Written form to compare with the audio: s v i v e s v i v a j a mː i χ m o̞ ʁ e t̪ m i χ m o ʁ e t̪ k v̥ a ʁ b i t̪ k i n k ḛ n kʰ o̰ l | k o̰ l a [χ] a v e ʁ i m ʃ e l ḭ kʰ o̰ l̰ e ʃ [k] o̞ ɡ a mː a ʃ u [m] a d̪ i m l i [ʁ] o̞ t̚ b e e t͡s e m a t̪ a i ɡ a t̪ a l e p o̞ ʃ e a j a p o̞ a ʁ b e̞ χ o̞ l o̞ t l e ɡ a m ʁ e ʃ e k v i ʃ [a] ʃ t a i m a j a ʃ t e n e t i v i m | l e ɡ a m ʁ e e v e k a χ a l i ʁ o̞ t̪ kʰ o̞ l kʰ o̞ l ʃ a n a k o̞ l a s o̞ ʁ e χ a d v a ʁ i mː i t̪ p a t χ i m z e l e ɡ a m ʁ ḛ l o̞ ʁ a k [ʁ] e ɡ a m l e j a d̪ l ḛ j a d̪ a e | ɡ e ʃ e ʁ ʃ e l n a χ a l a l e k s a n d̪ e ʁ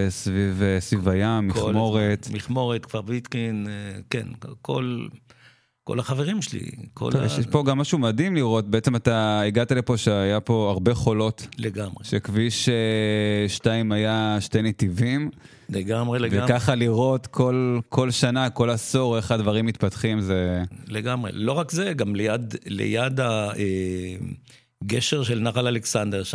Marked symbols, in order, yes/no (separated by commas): yes, no, yes, yes, no, no